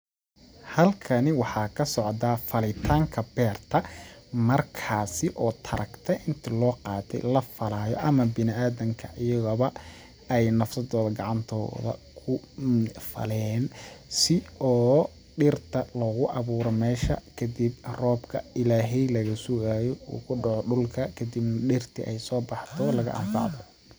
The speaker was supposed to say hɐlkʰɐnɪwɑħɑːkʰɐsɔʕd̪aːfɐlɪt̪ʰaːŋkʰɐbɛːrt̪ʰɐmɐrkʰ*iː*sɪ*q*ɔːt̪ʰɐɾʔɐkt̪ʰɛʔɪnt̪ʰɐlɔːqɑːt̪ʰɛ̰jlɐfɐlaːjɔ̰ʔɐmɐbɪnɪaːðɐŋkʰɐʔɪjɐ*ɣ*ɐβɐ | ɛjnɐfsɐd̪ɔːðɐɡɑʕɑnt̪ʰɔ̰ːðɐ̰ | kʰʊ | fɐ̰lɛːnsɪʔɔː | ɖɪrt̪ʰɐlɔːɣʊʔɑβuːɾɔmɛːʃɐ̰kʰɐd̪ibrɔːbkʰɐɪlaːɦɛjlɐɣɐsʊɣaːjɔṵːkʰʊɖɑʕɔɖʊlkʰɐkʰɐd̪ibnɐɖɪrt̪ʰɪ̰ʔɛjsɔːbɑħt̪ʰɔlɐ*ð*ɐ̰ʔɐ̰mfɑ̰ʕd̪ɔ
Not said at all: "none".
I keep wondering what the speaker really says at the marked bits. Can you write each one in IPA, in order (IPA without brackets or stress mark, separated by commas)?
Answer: aː, ʔ, ɣ, ɣ